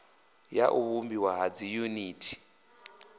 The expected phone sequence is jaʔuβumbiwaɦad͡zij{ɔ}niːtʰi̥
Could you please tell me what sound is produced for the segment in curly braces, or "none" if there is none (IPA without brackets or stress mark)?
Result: u